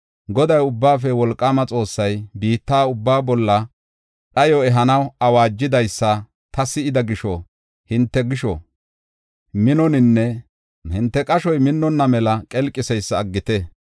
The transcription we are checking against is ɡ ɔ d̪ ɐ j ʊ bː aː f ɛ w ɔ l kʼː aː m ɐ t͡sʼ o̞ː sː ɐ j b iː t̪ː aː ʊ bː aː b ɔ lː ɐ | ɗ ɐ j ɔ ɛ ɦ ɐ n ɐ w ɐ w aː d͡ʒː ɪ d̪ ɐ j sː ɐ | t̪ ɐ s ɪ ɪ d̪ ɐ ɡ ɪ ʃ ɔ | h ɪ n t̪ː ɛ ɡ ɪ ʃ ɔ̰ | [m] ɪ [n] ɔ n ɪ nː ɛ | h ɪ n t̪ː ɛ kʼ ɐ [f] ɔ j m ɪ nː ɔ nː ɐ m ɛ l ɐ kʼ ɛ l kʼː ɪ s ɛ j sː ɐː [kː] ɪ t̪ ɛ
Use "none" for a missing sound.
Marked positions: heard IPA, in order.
m, n, ʃ, ɡː

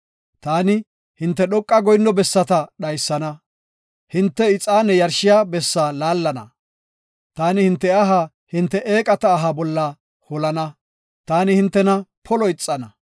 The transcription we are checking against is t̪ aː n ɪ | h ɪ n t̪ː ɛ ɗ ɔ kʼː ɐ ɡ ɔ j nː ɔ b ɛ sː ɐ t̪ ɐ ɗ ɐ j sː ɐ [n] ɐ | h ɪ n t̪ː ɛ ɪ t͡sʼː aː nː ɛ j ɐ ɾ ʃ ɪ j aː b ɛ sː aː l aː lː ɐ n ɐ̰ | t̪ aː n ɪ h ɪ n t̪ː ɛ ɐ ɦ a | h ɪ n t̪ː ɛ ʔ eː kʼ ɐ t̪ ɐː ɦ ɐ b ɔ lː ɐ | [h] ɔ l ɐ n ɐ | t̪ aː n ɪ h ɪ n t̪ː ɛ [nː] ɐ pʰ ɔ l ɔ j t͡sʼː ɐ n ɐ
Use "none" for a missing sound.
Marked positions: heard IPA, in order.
n, h, n

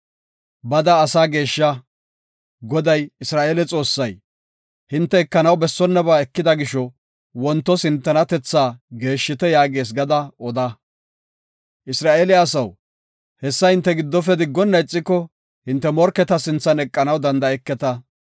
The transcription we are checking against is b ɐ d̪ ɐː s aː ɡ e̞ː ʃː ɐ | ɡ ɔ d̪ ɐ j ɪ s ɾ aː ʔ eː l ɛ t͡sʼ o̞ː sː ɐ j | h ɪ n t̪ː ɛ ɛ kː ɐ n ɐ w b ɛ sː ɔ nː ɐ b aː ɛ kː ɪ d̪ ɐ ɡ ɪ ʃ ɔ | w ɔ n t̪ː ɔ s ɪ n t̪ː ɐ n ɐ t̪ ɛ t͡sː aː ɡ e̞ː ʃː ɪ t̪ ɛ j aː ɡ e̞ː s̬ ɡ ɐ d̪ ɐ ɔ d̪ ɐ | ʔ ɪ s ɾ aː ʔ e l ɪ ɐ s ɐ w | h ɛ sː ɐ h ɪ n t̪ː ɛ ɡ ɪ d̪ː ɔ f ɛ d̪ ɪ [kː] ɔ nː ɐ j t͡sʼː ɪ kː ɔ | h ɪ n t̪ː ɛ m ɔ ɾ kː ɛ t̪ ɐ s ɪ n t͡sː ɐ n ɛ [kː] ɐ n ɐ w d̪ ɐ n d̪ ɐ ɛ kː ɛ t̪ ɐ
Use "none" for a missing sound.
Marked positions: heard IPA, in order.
ɡː, kʼː

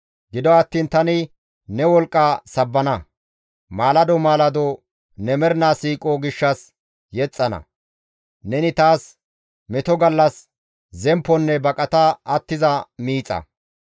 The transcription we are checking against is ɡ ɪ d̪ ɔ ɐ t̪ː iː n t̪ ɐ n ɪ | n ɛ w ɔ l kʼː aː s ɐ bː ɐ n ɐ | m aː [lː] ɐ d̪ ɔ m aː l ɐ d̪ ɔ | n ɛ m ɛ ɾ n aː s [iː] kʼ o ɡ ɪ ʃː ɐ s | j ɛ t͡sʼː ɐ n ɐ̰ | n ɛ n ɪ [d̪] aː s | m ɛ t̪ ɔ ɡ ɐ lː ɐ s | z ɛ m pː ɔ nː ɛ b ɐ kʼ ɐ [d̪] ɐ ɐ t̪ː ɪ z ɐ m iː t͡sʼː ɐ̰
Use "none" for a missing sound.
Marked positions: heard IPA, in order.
l, iː, t̪, t̪

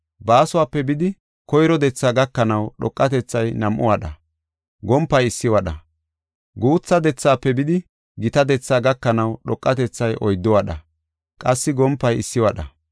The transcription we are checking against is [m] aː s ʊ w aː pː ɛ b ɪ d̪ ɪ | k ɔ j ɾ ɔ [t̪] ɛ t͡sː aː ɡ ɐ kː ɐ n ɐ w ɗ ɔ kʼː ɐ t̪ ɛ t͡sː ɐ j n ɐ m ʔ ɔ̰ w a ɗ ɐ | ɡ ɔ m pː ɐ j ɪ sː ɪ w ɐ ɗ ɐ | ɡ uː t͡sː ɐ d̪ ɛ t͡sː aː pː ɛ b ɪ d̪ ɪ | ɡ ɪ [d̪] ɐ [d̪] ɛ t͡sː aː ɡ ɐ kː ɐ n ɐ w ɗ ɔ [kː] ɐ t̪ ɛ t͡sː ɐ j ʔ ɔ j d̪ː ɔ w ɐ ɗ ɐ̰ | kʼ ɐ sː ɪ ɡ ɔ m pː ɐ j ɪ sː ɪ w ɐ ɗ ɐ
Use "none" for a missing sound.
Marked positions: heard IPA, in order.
b, d̪, t̪, d̪, kʼː

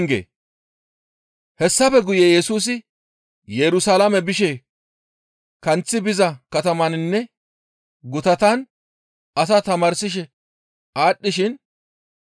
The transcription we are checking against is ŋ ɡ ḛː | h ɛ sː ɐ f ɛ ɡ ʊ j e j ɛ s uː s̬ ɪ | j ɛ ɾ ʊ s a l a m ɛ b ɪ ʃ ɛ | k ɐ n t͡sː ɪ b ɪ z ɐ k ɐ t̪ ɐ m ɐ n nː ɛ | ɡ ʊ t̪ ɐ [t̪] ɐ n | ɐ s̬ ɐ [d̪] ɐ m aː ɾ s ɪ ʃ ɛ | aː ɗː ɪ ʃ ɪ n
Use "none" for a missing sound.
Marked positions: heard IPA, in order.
t̪, t̪

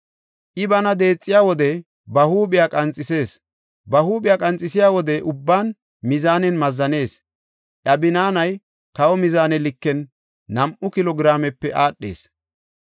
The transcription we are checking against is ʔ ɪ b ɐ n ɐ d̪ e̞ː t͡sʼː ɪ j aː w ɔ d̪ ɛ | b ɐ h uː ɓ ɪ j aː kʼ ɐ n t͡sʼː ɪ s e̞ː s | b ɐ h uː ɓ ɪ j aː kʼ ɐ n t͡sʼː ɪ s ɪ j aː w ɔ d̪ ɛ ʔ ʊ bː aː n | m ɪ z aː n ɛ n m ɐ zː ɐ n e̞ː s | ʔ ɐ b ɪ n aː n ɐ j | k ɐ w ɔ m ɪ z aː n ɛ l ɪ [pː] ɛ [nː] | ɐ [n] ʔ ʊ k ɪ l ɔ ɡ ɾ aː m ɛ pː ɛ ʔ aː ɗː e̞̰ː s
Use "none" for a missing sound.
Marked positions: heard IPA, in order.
kː, nː, m

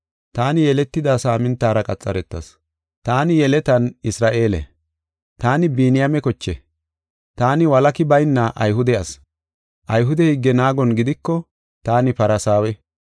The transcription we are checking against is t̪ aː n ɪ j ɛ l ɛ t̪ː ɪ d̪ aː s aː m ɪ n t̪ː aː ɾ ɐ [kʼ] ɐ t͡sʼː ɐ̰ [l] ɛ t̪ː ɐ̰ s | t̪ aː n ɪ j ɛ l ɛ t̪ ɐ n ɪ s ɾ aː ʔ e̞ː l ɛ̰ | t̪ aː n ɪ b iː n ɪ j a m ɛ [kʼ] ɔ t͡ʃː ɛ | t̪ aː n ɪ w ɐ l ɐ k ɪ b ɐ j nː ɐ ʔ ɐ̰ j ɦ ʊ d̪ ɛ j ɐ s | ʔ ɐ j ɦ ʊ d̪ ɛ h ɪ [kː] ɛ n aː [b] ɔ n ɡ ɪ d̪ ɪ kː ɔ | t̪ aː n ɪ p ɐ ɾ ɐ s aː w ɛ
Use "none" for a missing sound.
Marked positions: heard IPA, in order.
kʼ, ɾ, k, ɡː, ɡ

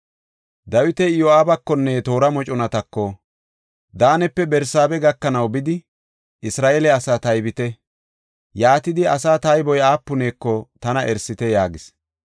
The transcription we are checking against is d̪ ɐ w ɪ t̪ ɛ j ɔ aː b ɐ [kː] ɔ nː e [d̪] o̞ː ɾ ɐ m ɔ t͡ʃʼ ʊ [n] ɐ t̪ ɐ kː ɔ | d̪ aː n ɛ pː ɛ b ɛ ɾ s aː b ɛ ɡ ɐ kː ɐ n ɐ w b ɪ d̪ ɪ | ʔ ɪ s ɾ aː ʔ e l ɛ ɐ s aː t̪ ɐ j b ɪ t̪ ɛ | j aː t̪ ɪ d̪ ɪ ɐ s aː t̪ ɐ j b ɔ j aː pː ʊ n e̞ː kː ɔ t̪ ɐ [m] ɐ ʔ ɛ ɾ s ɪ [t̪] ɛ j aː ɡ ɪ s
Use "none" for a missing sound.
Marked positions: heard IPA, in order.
kː, t̪, n, n, t̪

